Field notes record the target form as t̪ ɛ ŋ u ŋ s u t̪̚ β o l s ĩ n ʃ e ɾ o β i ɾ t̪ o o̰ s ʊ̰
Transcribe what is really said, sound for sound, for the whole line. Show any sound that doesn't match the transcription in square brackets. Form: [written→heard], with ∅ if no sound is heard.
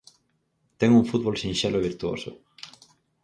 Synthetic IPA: t̪ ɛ ŋ u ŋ [s→f] u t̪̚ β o l s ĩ n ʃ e [ɾ→l] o β i ɾ t̪ [o→u] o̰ s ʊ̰